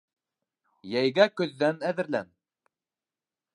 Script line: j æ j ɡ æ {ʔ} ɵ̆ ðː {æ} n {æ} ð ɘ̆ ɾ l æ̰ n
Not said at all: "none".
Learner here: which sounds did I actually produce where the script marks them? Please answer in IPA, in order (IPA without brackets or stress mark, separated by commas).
k, æ, æ